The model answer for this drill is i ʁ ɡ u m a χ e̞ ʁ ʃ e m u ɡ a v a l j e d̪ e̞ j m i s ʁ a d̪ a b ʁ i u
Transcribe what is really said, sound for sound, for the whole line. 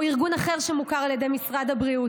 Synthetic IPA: i ʁ ɡ u n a χ e̞ ʁ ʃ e m u k a ʁ a l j e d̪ e̞ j m i s ʁ a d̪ a b ʁ i u